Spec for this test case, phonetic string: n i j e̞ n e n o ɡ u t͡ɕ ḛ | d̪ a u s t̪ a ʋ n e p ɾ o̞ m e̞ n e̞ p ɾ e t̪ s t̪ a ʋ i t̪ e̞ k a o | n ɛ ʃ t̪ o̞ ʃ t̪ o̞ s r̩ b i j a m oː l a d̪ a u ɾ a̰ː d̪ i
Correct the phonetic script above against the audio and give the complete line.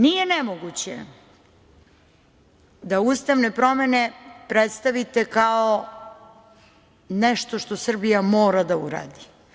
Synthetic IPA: n i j e̞ n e m o ɡ u t͡ɕ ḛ | d̪ a u s t̪ a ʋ n e p ɾ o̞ m e̞ n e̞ p ɾ e t̪ s t̪ a ʋ i t̪ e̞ k a o | n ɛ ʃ t̪ o̞ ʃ t̪ o̞ s r̩ b i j a m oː ɾ a d̪ a u ɾ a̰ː d̪ i